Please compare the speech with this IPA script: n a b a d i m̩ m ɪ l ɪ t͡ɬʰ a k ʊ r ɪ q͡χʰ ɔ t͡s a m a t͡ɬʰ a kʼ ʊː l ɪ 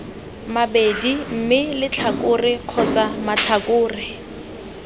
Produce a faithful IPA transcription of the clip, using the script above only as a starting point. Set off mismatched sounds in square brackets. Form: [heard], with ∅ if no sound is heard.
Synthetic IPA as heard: [m] a b [e] d i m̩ m ɪ l ɪ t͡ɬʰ a k ʊ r ɪ q͡χʰ ɔ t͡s a m a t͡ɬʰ a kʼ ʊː [r] ɪ